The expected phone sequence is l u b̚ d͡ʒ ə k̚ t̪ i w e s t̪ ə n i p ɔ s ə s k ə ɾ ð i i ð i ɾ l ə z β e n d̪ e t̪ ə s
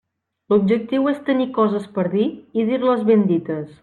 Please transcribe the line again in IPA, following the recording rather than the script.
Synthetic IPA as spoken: l u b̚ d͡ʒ ə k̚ t̪ i w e s t̪ ə n i k ɔ z ə s p ə ɾ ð i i ð i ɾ l ə z β e n d̪ i t̪ ə s